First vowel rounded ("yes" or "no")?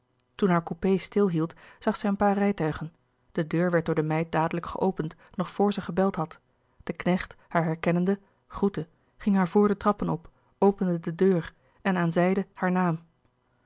yes